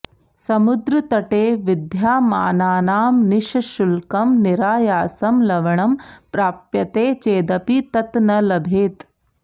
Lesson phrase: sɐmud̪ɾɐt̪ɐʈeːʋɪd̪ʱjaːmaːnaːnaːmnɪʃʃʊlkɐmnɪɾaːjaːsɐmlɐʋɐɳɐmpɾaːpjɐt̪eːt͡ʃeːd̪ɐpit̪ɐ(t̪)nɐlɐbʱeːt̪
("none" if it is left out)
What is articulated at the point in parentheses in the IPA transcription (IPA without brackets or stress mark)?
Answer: t̪